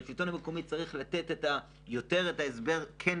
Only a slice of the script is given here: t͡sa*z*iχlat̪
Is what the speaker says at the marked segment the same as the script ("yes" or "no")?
no